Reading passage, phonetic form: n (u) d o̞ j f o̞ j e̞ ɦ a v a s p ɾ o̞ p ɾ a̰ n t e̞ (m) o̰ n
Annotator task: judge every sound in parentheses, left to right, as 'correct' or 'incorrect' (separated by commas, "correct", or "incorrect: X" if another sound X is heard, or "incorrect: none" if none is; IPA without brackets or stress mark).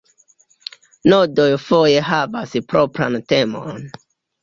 incorrect: o, correct